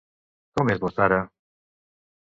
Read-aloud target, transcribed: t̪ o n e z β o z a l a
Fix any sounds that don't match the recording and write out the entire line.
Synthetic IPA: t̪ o m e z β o s a ɾ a